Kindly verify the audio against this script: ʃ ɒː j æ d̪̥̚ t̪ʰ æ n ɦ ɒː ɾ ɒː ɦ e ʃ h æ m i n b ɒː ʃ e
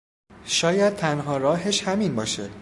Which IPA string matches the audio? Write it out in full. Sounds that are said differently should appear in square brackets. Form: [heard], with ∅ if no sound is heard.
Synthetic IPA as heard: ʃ ɒː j æ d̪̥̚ t̪ʰ æ n ɦ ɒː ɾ ɒː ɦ e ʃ h æ m i n b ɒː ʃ e